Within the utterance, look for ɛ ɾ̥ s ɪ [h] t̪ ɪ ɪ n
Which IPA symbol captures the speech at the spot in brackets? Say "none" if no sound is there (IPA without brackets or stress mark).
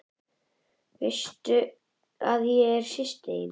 s